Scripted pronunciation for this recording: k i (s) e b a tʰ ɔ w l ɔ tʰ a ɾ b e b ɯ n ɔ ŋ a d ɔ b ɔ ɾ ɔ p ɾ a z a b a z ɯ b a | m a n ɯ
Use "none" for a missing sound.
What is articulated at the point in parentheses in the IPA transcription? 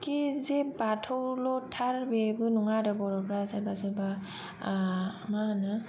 z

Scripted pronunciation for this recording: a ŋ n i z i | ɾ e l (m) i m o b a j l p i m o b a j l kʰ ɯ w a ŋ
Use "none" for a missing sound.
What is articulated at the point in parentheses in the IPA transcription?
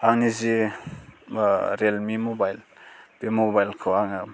m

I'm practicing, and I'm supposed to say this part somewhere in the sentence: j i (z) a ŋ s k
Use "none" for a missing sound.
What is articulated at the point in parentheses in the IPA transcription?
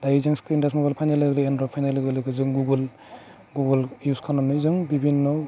z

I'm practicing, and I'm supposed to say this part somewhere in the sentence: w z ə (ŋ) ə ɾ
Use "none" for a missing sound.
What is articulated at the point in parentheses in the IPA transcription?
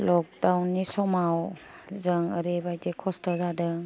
ŋ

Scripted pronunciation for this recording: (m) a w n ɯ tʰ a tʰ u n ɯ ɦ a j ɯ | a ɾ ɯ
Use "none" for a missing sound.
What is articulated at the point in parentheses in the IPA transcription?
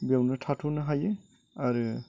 b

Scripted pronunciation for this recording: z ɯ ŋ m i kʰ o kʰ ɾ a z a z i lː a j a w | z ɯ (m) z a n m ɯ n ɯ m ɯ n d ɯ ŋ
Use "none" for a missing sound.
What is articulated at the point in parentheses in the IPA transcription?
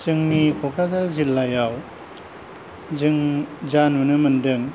ŋ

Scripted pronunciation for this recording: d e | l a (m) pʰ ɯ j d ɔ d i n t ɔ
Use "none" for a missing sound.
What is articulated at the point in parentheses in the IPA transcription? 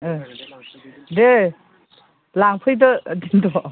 ŋ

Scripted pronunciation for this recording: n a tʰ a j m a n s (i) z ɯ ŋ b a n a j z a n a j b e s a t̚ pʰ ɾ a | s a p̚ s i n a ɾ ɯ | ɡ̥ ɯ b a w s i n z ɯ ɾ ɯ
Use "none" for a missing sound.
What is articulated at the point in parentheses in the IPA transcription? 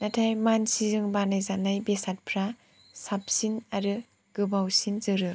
i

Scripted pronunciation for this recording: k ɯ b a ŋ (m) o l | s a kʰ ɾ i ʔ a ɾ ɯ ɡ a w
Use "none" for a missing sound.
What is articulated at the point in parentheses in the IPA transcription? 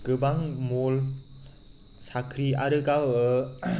m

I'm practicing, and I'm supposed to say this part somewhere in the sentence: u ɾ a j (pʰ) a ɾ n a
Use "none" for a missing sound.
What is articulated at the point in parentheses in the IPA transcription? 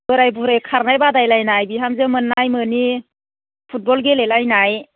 kʰ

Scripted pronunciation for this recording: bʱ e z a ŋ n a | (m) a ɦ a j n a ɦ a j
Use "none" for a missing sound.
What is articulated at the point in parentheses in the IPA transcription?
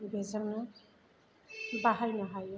b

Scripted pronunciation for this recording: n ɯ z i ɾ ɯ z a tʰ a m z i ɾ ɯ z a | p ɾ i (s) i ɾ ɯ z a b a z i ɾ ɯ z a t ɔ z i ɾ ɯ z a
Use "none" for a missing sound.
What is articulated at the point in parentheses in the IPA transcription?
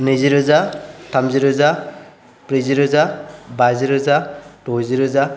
z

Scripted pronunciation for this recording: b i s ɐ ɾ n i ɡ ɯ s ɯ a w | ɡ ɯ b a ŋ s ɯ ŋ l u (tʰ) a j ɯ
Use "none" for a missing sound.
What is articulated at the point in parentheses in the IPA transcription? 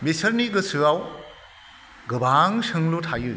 tʰ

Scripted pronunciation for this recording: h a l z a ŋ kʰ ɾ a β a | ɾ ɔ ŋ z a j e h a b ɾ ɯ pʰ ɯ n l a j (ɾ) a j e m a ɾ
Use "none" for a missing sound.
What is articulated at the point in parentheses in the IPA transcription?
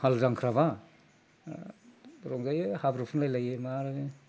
l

